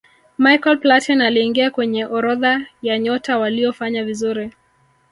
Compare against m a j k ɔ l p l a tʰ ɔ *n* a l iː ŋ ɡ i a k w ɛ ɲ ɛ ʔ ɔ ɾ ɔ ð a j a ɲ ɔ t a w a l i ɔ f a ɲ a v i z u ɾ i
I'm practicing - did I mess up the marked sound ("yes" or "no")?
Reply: no